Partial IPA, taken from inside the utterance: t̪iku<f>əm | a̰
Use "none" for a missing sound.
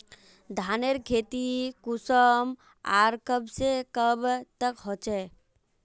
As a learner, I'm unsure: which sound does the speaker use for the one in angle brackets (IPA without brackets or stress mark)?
s